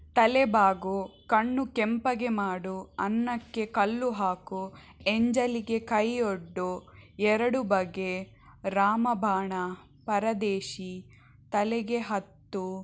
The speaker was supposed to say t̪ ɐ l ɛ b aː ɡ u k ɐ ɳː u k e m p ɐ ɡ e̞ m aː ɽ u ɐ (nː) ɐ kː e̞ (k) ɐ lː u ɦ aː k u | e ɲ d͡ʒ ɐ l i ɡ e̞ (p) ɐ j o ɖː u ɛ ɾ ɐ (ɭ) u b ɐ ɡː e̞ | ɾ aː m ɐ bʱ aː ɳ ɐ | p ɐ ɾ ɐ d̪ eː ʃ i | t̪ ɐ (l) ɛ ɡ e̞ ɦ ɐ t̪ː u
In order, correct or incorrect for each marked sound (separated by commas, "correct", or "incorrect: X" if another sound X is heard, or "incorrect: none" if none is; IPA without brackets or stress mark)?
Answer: correct, correct, incorrect: k, incorrect: ɽ, correct